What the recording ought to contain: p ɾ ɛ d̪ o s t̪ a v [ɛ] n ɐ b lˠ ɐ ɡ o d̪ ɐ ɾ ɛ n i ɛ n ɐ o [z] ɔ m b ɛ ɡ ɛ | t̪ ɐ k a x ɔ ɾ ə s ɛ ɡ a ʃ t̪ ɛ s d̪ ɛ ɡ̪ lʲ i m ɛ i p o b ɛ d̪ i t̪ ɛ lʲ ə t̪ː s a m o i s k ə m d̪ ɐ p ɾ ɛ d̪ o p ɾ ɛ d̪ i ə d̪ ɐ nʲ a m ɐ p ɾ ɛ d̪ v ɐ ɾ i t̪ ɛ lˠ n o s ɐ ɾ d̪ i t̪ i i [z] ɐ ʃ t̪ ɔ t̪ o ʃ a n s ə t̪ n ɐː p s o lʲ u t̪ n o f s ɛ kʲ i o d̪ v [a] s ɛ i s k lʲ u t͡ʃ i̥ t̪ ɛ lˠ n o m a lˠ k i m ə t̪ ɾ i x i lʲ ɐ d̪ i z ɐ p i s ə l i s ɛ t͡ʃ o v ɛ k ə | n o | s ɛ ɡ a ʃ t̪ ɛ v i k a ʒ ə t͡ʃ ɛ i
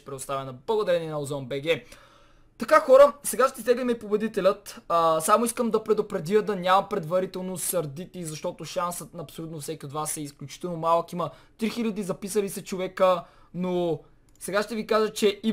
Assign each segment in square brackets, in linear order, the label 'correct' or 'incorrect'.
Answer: correct, correct, correct, correct

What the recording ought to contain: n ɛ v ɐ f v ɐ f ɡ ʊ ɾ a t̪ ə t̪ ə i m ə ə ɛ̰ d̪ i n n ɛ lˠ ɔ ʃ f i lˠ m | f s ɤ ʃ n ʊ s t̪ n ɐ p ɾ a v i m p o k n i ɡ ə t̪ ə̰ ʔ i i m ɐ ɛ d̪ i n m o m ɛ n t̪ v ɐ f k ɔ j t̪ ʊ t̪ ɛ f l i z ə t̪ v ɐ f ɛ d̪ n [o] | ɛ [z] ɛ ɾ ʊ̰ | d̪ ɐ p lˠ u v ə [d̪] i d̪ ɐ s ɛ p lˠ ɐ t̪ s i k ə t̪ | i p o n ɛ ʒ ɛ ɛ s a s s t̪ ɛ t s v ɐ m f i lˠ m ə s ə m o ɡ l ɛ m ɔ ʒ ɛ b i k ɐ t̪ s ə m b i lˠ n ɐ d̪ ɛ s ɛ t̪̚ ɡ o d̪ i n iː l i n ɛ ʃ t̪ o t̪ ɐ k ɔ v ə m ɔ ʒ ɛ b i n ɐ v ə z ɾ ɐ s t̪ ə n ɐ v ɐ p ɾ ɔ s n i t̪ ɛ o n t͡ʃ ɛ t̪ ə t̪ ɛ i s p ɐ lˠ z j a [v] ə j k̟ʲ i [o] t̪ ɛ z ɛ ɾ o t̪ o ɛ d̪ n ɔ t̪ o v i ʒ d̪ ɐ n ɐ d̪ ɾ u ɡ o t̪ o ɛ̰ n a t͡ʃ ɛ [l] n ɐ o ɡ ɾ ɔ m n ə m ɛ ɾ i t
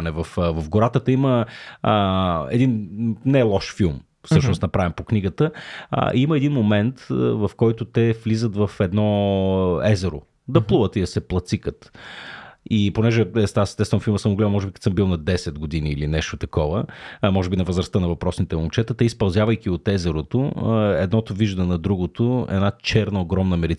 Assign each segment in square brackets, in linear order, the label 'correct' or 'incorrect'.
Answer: incorrect, correct, incorrect, correct, correct, incorrect

